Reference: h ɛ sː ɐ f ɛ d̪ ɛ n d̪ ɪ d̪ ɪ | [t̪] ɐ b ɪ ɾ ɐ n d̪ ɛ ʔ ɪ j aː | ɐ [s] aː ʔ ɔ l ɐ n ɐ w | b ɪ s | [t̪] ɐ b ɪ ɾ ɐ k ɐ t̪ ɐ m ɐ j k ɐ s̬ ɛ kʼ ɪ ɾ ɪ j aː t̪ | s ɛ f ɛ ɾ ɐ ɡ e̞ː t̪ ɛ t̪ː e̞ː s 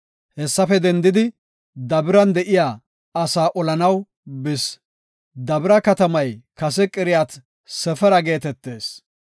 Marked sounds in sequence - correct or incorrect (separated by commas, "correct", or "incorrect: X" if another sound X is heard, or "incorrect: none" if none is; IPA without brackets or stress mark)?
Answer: incorrect: d̪, correct, incorrect: d̪